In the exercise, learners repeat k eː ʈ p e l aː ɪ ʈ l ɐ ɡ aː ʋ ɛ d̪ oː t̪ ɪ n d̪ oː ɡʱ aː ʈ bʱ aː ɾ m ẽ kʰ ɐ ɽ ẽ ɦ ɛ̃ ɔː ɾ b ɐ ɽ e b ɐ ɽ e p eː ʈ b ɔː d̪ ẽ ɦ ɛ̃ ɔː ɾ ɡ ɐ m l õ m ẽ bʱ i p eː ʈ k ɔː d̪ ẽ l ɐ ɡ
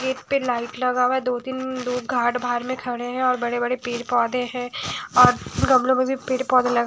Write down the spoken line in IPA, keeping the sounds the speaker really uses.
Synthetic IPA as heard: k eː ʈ p e l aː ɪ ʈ l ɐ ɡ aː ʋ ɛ d̪ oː t̪ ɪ n d̪ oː ɡʱ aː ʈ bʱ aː ɾ m ẽ kʰ ɐ ɽ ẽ ɦ ɛ̃ ɔː ɾ b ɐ ɽ e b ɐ ɽ e p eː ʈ p ɔː d̪ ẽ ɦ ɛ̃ ɔː ɾ ɡ ɐ m l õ m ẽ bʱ i p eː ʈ p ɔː d̪ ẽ l ɐ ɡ